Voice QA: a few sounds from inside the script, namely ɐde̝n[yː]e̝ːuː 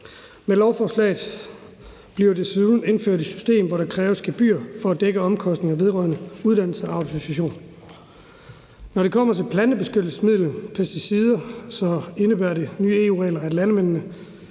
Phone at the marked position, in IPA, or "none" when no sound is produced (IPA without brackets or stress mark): yː